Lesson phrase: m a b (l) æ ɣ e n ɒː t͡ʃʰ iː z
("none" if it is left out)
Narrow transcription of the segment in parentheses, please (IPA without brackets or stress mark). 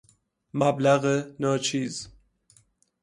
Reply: l